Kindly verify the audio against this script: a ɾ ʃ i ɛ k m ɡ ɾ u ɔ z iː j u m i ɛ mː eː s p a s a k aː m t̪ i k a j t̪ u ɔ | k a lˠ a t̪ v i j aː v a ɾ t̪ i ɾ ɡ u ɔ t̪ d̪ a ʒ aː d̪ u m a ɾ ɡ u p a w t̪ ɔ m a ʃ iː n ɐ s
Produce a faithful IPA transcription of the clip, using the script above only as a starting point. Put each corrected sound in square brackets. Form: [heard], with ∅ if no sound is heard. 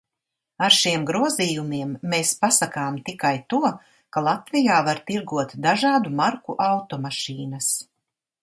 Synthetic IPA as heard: a ɾ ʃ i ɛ [∅] m ɡ ɾ u ɔ z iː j u m i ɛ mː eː s p a s a k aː m t̪ i k a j t̪ u ɔ | k a lˠ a t̪ v i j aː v a ɾ t̪ i ɾ ɡ u ɔ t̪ d̪ a ʒ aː d̪ u m a ɾ [k] u [ʔ] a w t̪ ɔ m a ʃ iː n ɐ s